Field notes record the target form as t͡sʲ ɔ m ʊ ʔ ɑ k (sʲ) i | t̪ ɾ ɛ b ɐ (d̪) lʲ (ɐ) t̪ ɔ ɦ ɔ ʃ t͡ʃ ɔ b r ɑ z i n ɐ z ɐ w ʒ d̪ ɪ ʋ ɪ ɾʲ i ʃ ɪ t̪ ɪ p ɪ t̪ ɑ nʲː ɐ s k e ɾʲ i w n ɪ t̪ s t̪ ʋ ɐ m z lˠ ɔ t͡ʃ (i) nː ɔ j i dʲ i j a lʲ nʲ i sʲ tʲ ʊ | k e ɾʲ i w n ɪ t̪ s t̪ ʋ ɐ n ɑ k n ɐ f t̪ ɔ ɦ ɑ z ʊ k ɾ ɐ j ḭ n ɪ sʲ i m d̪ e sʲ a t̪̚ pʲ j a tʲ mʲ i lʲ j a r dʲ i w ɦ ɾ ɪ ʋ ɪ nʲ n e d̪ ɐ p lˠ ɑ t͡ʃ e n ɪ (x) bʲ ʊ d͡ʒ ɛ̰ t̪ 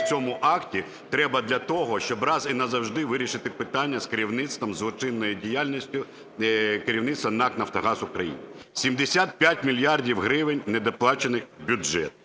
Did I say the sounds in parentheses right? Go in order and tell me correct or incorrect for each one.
incorrect: tʲ, correct, correct, incorrect: ɪ, correct

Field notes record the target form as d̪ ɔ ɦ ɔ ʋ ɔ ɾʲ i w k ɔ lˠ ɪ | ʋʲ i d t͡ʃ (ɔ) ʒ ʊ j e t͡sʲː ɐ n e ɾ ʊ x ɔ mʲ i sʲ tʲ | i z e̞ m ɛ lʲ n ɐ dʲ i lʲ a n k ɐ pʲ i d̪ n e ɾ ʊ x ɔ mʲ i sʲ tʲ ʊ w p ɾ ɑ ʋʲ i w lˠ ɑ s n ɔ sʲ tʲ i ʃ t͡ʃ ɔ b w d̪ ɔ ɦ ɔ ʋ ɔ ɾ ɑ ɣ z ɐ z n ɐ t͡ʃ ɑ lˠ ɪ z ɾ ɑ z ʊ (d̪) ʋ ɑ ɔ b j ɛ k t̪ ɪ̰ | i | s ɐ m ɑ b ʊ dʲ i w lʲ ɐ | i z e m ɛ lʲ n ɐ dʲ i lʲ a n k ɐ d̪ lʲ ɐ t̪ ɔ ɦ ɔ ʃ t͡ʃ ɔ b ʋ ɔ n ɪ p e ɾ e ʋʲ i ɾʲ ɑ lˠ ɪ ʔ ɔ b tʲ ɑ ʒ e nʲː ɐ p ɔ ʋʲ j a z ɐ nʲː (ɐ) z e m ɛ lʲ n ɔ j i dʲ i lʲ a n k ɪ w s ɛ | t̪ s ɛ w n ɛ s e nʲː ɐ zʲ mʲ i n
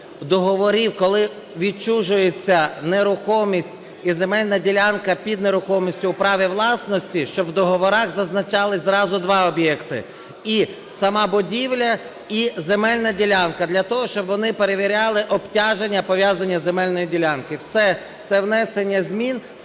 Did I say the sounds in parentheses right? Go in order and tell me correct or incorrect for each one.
incorrect: u, correct, correct

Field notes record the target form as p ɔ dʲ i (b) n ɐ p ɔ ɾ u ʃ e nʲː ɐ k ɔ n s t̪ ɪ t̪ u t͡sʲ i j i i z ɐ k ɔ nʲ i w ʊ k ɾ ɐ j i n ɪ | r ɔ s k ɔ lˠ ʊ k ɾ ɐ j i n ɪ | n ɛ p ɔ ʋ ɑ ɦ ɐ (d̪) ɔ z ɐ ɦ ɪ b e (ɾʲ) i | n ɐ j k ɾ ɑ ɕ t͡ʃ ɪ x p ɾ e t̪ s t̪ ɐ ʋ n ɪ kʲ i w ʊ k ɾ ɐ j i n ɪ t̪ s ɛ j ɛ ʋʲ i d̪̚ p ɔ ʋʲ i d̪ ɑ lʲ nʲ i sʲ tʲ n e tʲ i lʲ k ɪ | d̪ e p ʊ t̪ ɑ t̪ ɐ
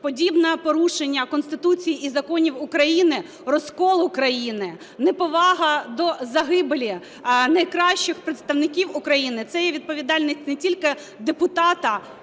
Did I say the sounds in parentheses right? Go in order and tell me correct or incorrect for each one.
correct, correct, incorrect: lʲ

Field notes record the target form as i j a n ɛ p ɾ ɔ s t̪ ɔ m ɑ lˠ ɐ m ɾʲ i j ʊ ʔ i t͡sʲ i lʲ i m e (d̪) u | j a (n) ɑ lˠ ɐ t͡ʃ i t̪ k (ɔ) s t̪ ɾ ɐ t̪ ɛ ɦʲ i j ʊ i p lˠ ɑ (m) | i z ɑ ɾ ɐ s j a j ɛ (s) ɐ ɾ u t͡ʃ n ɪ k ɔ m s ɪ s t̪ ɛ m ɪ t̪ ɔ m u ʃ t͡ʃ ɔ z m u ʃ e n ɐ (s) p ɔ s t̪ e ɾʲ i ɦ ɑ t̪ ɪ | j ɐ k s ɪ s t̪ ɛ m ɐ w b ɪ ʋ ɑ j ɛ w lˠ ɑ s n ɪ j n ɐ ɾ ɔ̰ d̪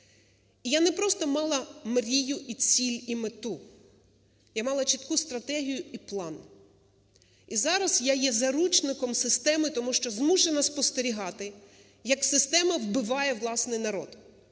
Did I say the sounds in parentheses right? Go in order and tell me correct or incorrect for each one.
incorrect: t̪, incorrect: m, incorrect: u, incorrect: n, incorrect: z, correct

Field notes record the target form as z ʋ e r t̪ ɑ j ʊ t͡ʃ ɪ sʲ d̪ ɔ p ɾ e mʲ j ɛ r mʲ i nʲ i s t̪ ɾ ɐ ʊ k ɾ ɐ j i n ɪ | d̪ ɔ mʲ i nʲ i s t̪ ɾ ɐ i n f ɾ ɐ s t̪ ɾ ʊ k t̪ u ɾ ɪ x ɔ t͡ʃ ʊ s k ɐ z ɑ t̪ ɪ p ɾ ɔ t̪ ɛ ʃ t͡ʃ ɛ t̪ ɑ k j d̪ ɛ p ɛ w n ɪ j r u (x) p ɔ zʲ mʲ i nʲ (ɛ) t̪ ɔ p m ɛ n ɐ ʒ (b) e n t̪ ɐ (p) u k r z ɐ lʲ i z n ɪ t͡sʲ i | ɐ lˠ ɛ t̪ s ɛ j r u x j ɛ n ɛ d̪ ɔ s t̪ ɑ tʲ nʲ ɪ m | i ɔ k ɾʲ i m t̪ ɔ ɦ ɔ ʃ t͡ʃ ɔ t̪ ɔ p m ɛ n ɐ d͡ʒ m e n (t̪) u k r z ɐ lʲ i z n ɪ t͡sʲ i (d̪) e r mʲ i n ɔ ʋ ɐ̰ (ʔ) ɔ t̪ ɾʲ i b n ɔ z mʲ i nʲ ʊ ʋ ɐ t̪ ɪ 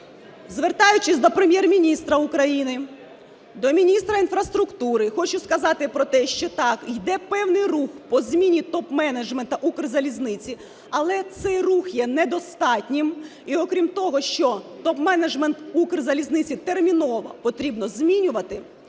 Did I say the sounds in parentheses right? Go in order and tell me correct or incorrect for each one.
correct, incorrect: i, incorrect: m, incorrect: ʔ, correct, incorrect: t̪, incorrect: p

